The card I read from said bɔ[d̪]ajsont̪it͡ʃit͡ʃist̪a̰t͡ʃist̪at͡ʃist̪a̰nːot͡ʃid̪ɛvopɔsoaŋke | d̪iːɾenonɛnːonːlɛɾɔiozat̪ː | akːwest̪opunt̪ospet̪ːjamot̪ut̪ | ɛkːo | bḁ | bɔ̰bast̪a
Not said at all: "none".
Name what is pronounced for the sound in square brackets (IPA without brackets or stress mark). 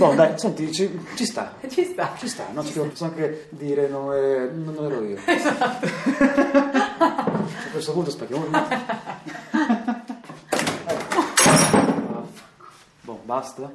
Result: d̪